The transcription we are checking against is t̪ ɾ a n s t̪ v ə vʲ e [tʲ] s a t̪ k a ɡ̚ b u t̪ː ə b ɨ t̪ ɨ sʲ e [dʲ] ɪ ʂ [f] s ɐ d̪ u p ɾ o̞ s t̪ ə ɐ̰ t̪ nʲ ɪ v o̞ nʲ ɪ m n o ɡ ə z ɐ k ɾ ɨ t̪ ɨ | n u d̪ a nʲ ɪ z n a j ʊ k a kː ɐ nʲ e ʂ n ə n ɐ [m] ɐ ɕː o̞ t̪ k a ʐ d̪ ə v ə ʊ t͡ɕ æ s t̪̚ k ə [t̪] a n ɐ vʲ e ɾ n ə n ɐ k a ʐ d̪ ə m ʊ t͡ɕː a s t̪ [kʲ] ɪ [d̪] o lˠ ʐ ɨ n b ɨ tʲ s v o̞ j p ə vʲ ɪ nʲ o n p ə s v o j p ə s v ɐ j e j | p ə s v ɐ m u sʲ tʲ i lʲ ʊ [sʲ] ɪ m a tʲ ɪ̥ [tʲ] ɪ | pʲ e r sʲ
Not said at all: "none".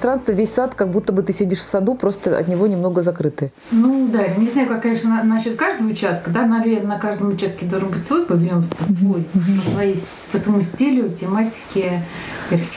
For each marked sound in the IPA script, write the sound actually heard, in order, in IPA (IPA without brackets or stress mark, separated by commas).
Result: sʲ, dʲ, f, n, d̪, kʲ, d̪, tʲ, kʲ